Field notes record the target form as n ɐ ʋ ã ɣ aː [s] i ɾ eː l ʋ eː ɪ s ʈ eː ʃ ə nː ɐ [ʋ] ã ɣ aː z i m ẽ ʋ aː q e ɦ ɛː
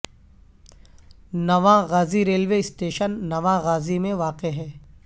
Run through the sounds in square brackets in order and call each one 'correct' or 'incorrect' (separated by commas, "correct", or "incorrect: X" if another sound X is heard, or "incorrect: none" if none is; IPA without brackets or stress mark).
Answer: incorrect: z, correct